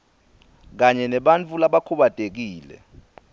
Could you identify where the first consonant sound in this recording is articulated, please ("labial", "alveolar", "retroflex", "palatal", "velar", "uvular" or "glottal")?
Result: velar